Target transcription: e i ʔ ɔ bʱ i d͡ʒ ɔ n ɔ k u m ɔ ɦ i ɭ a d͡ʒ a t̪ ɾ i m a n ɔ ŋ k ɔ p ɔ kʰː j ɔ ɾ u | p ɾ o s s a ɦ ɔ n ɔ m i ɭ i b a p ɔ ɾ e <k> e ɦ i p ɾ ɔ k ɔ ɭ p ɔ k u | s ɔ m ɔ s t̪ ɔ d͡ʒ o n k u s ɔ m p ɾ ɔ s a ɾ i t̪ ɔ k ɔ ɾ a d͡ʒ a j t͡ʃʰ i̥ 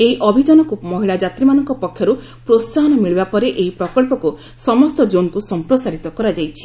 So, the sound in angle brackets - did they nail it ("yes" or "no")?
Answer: no